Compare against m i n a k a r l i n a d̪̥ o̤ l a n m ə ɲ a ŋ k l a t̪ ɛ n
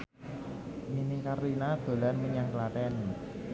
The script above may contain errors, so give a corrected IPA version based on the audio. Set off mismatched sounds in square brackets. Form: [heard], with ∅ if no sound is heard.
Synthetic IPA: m i n [i] k a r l i n a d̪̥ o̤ l a n m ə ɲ a ŋ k l a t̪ ɛ n